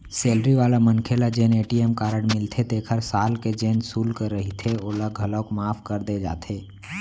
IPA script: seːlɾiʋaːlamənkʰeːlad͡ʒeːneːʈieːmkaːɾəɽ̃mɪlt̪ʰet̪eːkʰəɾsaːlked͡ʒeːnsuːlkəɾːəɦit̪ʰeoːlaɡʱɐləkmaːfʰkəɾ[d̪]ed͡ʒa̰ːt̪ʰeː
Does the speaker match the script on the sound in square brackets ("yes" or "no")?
yes